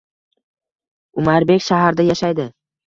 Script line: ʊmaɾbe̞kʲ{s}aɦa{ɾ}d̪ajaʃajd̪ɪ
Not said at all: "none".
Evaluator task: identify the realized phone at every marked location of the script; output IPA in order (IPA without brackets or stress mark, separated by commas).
ʃ, ɾ